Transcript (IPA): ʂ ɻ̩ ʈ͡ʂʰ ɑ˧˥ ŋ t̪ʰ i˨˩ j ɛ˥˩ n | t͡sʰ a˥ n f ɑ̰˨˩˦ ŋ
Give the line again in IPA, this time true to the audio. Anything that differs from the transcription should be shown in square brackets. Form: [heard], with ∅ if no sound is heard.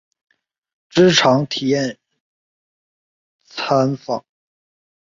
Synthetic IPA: [ʈ͡ʂ] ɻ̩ ʈ͡ʂʰ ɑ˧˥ ŋ t̪ʰ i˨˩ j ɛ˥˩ n | t͡sʰ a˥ n f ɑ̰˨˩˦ ŋ